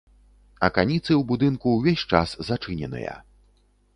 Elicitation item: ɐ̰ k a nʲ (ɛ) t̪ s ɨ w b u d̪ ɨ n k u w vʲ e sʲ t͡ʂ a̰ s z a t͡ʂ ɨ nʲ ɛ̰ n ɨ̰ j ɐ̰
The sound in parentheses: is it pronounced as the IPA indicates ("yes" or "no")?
no